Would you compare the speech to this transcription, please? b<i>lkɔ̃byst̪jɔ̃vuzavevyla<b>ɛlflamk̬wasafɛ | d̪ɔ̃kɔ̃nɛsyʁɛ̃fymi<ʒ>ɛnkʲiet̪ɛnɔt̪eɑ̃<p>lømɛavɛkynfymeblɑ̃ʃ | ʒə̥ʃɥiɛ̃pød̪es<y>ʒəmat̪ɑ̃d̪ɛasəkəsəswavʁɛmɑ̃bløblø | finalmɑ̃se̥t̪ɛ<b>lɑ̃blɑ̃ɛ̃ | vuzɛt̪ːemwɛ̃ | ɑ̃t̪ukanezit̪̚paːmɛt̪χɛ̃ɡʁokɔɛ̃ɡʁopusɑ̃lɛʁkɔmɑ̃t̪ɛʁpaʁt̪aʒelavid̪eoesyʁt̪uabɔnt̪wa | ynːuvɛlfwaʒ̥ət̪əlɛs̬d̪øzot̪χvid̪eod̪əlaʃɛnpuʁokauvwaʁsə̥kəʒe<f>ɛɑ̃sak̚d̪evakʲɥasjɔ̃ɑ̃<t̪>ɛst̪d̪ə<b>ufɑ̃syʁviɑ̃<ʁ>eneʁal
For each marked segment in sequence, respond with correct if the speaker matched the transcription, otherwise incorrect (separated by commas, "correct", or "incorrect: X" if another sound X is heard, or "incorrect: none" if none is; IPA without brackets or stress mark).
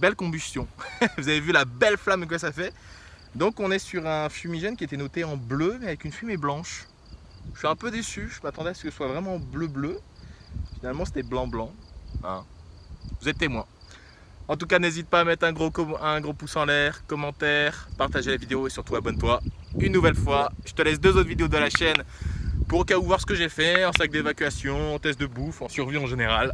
incorrect: ɛ, correct, correct, incorrect: b, correct, correct, correct, correct, correct, incorrect: ʒ